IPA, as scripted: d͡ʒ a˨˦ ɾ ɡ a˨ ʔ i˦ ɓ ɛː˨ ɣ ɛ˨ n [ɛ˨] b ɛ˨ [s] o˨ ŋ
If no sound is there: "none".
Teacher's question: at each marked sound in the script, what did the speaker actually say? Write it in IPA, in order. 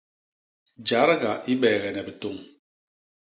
ɛ˨, t

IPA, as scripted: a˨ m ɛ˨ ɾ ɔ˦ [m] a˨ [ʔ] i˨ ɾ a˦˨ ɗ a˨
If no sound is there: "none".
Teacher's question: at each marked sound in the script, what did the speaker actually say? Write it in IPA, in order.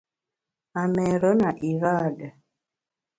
n, ʔ

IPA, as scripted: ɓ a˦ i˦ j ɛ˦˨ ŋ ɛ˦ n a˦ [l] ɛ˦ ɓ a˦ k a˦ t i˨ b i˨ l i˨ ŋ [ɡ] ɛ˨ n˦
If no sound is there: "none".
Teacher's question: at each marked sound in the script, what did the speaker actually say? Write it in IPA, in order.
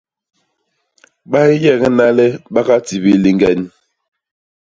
l, ɡ

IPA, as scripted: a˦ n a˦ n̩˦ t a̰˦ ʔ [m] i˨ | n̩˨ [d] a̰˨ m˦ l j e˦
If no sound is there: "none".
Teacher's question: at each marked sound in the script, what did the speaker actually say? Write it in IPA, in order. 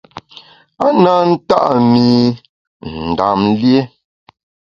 m, d

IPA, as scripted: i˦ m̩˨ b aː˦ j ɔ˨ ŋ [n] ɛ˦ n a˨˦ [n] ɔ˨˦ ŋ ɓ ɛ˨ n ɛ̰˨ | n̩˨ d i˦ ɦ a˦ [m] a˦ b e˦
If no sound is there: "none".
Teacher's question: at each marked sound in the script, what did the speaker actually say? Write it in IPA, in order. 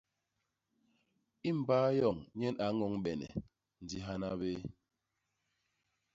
ɲ, ŋ, n

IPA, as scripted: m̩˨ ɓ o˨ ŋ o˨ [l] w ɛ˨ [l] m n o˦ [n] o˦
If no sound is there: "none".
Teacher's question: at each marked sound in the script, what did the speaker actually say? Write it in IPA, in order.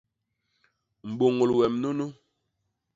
l, none, n

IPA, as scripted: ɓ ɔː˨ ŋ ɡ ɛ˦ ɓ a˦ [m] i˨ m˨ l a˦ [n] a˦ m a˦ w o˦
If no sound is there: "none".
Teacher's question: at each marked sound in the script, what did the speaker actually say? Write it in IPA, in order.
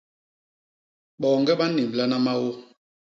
n, n

